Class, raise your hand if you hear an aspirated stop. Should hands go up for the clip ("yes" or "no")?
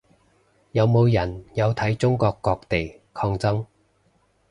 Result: yes